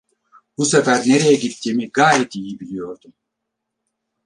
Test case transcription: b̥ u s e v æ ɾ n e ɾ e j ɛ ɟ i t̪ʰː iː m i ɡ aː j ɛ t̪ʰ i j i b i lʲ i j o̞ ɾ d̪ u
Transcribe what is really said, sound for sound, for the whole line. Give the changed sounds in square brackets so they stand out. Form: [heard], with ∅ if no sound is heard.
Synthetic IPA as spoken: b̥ u s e [f] æ ɾ n e ɾ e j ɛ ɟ i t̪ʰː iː m i ɡ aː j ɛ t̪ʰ i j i b i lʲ i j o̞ ɾ d̪ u